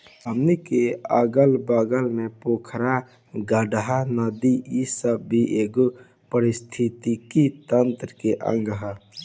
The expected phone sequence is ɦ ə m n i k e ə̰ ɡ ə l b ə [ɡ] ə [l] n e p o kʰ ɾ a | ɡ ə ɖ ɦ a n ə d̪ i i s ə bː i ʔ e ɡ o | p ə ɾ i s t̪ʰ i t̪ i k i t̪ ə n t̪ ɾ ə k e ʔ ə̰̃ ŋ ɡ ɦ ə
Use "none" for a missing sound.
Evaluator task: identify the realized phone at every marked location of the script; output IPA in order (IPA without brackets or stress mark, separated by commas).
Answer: ɡ, l